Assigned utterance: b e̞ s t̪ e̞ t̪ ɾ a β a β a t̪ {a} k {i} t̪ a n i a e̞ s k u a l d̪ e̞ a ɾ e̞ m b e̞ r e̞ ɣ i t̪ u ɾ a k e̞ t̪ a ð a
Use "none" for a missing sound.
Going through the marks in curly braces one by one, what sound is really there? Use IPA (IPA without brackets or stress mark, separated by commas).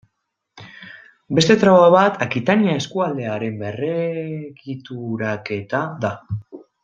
a, i